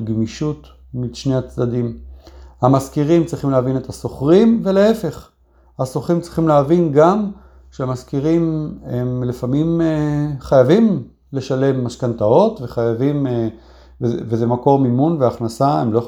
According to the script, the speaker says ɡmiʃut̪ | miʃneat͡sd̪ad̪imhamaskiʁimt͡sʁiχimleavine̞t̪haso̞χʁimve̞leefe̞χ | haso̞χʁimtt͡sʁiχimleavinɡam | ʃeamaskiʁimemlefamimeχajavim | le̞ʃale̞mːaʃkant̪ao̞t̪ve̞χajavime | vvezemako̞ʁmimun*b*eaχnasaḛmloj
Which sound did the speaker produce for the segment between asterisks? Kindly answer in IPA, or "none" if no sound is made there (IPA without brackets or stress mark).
v